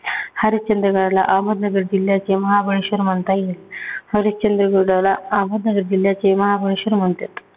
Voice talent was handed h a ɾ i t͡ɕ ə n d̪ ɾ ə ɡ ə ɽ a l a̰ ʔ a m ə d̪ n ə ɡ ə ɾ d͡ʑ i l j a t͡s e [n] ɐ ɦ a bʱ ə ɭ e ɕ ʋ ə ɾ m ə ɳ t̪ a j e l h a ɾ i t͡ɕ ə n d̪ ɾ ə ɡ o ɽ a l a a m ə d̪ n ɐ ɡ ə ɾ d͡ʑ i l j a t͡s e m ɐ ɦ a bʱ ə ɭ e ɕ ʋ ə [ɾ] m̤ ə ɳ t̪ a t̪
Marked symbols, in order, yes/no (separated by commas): no, yes